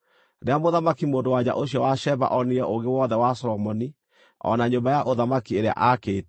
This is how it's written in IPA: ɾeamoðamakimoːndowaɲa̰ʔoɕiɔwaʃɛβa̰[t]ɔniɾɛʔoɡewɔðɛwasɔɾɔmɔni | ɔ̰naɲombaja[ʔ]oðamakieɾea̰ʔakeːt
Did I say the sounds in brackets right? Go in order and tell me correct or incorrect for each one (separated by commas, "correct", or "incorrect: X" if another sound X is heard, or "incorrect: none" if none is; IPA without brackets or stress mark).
incorrect: ʔ, correct